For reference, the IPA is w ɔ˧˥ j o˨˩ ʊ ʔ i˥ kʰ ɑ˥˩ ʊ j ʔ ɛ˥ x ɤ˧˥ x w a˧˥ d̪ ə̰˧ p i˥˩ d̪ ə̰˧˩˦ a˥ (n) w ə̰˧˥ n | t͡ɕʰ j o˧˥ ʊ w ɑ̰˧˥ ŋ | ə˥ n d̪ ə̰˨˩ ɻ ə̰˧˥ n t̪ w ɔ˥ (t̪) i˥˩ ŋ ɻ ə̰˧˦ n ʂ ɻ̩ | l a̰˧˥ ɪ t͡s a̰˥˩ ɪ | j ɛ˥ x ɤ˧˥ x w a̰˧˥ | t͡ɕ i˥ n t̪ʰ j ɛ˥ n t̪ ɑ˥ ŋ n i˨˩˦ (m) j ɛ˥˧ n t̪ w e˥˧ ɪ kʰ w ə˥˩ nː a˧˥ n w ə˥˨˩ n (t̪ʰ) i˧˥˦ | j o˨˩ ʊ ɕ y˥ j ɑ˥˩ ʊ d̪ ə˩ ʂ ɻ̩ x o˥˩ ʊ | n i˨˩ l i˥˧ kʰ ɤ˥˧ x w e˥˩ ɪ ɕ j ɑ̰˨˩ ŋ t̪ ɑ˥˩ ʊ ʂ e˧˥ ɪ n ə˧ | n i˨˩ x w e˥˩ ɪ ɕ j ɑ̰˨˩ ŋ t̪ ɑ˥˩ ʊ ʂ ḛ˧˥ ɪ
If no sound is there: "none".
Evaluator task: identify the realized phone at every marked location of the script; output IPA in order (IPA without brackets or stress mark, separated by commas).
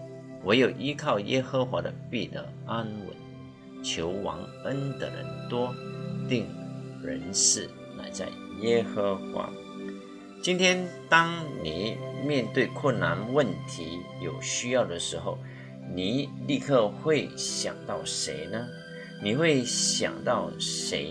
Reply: n, t̪, m, t̪ʰ